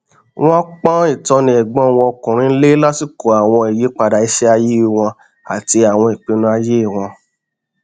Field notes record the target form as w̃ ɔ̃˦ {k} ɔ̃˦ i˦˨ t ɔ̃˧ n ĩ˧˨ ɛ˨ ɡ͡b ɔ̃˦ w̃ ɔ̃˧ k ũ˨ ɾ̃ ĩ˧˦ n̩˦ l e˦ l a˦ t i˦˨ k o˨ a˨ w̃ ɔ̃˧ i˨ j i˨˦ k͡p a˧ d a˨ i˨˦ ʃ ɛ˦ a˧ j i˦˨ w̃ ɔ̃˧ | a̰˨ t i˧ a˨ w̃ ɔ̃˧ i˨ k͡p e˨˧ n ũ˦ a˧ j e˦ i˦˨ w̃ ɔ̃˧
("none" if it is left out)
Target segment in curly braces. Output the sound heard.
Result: k͡p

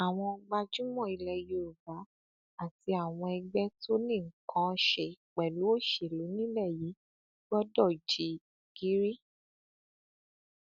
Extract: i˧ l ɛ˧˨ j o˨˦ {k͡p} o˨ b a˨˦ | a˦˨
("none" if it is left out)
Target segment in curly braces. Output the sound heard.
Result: none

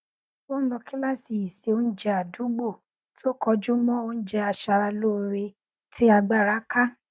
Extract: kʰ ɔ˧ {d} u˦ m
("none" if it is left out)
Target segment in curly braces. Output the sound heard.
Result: d͡ʒ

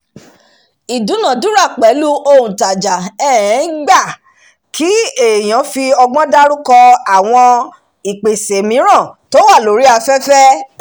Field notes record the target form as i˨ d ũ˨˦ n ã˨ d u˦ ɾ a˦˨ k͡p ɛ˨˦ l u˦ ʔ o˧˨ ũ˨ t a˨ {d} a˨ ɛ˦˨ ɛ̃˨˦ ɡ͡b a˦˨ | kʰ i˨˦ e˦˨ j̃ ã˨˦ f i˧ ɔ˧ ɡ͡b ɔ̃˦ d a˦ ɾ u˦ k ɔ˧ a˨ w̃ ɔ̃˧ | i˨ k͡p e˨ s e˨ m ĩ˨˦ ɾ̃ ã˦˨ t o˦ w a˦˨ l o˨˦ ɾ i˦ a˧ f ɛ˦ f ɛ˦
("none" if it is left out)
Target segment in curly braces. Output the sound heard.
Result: d͡ʒ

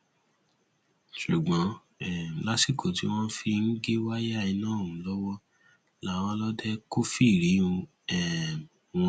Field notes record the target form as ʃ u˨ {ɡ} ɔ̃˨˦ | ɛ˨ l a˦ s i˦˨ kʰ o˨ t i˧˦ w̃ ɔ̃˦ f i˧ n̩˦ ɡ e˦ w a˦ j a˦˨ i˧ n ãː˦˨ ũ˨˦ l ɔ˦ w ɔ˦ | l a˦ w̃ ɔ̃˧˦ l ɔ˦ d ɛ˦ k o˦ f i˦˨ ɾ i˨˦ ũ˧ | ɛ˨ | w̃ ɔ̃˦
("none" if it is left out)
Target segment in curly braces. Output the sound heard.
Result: ɡ͡b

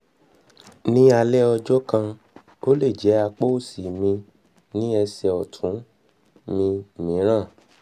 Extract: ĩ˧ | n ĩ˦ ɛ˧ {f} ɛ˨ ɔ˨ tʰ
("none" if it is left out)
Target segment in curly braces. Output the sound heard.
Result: s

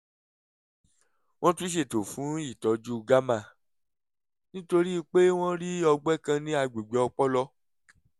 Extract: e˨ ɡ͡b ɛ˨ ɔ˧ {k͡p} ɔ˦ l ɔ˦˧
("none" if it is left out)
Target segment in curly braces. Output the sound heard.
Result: k͡p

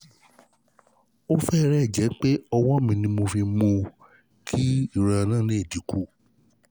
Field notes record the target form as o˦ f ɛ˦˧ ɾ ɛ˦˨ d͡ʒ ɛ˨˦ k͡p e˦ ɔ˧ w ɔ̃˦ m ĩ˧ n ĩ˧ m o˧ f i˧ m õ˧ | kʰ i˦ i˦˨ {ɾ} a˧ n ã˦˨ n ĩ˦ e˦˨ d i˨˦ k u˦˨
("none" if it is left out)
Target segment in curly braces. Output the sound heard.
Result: ɾ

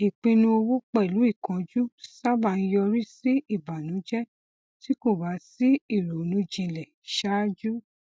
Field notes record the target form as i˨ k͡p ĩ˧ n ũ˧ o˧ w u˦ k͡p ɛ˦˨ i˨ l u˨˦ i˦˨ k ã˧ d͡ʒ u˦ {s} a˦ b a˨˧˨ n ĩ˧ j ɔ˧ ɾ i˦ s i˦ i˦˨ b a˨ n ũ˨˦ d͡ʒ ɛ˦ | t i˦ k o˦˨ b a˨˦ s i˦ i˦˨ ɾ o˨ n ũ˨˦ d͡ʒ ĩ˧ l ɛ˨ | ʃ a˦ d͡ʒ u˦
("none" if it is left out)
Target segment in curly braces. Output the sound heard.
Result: s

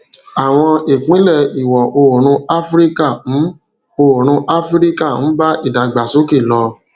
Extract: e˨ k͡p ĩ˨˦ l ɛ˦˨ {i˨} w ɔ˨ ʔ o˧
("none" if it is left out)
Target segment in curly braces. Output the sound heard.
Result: i˨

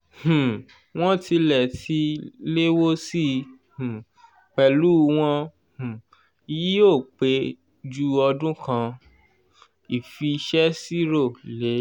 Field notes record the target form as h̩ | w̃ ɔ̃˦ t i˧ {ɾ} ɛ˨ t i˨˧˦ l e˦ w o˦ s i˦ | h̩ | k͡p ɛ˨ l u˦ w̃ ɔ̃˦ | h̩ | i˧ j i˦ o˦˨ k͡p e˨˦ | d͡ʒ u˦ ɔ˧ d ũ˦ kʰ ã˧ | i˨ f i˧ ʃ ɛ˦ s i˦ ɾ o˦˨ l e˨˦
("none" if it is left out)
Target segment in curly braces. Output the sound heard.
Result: l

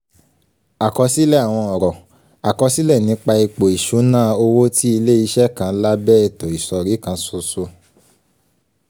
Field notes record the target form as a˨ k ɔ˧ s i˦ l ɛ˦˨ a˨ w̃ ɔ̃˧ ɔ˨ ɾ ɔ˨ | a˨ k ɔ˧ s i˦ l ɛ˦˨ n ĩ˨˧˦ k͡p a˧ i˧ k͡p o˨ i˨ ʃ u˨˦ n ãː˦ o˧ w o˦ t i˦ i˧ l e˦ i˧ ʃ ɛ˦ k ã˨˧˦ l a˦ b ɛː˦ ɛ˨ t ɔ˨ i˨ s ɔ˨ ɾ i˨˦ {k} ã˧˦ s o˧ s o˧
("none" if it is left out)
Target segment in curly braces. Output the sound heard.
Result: k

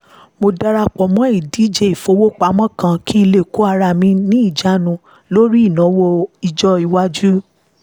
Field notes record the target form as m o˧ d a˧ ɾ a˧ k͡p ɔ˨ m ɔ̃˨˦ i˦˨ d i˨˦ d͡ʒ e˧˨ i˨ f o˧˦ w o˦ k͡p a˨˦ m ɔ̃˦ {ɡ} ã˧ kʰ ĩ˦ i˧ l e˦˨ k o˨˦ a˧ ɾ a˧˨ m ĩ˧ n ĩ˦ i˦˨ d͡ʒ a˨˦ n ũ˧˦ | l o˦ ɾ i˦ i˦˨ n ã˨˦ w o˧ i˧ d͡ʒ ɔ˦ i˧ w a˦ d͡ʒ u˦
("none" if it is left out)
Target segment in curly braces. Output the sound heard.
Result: k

